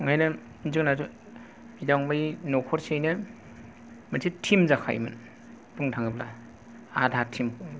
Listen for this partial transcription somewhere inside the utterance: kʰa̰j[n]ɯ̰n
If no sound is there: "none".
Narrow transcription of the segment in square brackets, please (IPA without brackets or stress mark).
m